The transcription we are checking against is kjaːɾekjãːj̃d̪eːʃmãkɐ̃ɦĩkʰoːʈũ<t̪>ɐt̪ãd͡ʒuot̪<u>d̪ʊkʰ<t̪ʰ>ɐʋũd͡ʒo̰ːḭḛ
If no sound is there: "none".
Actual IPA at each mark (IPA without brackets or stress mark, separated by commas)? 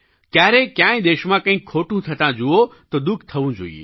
t̪ʰ, o, t̪ʰ